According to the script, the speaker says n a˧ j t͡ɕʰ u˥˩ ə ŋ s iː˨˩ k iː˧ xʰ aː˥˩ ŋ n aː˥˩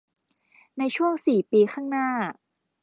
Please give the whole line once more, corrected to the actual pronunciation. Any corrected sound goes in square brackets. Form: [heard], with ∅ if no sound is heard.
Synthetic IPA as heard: n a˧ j t͡ɕʰ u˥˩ ə ŋ s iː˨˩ [p] iː˧ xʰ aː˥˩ ŋ n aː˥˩